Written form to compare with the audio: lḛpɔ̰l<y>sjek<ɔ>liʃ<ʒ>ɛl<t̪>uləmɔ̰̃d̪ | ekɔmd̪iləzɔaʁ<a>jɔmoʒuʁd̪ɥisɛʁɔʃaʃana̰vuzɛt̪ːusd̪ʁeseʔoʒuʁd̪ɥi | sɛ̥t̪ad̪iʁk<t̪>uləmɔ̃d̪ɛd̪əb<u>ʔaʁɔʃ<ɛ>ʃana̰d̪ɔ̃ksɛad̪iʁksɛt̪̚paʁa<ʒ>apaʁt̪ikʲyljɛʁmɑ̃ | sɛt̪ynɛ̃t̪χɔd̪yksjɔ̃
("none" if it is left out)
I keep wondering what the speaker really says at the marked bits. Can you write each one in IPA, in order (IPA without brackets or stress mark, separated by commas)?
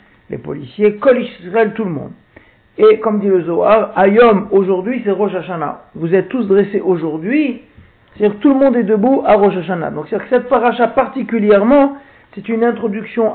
i, ɔ, ʁ, t̪, a, t̪, u, a, ʃ